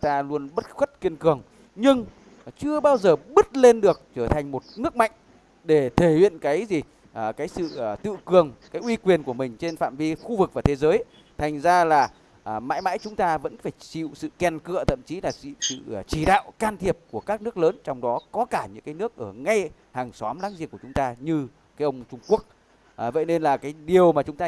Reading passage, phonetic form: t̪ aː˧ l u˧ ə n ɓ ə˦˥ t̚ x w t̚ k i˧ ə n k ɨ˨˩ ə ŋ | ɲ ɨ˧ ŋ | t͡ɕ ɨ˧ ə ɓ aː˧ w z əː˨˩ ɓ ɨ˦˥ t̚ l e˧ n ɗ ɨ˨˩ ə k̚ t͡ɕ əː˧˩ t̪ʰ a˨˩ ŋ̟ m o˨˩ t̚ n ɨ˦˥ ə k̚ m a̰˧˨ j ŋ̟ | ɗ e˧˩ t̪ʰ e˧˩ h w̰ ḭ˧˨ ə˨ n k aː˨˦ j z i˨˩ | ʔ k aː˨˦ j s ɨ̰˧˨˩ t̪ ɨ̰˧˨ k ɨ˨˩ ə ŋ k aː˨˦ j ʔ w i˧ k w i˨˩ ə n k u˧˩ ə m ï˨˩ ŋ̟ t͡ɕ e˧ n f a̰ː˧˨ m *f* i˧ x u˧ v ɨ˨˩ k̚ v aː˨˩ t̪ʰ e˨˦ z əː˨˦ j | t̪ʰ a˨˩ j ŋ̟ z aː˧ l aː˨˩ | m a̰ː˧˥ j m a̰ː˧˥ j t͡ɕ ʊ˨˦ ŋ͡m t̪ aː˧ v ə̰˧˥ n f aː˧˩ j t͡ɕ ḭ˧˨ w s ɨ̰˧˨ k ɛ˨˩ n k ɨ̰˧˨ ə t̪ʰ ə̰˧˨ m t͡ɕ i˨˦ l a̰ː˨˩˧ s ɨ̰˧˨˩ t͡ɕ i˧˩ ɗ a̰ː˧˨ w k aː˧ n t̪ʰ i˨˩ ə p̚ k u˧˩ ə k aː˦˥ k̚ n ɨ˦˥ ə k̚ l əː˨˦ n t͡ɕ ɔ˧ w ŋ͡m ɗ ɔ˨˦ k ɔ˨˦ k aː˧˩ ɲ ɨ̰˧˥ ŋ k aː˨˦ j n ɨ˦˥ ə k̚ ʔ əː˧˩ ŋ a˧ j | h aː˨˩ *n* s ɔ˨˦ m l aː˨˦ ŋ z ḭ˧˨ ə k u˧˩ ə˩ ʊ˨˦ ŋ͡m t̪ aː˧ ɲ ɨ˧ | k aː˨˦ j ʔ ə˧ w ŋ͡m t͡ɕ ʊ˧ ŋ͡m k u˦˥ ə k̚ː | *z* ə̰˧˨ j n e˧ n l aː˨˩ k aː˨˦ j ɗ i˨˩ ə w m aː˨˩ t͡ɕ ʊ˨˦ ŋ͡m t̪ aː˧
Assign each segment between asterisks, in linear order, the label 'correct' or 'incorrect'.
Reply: incorrect: v, incorrect: ŋ, incorrect: v

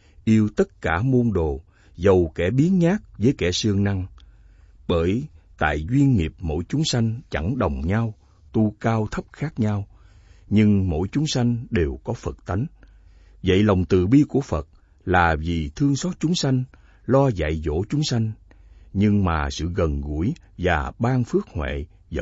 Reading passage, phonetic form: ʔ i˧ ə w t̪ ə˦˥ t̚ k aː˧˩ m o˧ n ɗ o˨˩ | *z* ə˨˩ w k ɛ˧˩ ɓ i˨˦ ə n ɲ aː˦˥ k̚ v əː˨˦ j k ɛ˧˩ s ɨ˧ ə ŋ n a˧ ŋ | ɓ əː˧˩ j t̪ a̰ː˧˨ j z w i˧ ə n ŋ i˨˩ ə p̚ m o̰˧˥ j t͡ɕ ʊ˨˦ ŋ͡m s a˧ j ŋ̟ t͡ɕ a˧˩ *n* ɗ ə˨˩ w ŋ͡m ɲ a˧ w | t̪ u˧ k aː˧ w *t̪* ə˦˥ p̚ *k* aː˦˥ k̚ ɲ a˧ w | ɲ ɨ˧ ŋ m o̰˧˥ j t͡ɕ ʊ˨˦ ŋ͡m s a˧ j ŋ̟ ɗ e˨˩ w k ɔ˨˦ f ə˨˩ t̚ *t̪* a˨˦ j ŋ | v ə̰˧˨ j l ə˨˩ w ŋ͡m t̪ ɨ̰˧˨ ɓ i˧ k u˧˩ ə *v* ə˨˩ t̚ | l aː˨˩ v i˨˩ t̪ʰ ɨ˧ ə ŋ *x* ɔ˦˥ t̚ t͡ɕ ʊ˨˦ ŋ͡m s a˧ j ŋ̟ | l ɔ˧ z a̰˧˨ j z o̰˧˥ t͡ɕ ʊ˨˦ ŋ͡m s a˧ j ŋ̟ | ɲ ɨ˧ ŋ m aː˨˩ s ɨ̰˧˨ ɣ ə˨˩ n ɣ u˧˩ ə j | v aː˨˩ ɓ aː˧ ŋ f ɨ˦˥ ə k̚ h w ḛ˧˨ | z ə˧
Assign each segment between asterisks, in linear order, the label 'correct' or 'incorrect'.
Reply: correct, incorrect: ŋ, incorrect: t̪ʰ, incorrect: x, correct, incorrect: f, incorrect: s

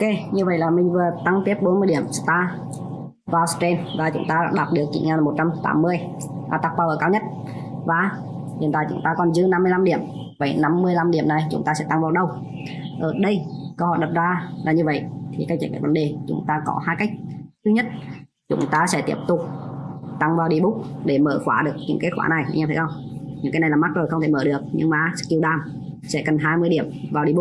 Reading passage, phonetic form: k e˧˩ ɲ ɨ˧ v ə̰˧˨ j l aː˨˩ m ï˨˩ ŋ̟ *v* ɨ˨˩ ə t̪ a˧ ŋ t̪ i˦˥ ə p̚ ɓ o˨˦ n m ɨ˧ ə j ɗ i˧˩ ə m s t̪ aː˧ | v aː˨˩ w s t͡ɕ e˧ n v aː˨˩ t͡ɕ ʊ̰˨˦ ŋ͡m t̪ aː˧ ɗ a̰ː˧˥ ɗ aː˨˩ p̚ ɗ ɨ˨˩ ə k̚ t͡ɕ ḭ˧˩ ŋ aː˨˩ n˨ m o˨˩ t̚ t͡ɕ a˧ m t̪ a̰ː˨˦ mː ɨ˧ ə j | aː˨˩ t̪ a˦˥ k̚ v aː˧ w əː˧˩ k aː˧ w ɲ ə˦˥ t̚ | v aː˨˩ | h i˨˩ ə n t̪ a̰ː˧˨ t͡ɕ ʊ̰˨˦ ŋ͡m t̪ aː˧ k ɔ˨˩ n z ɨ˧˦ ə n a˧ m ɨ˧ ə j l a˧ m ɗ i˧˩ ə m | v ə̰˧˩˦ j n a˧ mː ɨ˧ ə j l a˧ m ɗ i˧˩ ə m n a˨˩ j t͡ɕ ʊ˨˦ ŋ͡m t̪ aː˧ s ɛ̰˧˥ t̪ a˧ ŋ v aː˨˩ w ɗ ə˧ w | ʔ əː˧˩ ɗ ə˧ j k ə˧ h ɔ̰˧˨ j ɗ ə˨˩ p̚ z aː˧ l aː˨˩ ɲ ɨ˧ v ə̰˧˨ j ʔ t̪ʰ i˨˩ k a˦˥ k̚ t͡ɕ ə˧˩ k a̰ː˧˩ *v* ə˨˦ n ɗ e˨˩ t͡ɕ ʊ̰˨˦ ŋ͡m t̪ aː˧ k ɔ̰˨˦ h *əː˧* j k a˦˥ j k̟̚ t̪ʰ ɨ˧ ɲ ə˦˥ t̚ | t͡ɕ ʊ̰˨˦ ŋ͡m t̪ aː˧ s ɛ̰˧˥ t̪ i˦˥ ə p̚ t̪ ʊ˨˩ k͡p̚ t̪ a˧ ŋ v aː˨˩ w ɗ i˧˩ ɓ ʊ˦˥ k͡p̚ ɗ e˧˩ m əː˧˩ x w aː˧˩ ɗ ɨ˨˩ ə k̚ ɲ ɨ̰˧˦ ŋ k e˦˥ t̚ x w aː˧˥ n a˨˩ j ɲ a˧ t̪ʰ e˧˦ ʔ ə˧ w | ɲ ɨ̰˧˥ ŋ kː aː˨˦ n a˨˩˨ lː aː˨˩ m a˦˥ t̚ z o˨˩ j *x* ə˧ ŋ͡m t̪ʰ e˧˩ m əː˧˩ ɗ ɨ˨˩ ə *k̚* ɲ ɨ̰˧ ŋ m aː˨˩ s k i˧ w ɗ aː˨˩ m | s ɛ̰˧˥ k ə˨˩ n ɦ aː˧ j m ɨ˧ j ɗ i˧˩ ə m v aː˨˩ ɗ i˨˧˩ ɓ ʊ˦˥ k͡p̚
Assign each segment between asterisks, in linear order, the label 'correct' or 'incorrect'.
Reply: correct, correct, incorrect: aː˧, correct, correct

